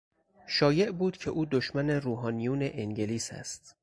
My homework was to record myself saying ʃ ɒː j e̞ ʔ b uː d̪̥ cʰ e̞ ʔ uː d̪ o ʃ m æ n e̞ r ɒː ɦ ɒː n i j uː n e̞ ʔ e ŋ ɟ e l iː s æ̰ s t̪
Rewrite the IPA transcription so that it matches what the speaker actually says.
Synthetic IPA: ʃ ɒː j e̞ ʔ b uː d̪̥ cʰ e̞ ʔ uː d̪ o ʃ m æ n e̞ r uː ɦ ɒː n i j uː n e̞ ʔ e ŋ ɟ e l iː s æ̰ s t̪